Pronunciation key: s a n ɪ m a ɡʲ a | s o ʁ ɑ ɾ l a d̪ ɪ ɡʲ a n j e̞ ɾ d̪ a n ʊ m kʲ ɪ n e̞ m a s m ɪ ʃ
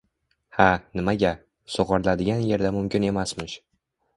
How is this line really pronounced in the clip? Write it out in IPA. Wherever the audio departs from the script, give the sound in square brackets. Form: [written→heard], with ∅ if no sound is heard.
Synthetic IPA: [s→h] a n ɪ m a ɡʲ a | s o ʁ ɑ ɾ l a d̪ ɪ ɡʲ a n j e̞ ɾ d̪ a [n→m] ʊ m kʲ ɪ n e̞ m a s m ɪ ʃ